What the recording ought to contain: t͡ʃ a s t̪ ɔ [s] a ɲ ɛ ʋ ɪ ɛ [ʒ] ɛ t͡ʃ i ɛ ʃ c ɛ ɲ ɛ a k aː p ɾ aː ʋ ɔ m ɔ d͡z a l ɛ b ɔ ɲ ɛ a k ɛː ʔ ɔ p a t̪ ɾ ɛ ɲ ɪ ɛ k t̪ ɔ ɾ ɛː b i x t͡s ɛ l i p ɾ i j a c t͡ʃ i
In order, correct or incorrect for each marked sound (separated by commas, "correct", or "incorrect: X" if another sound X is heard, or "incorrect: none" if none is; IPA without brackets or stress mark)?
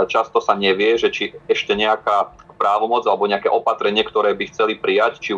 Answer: correct, correct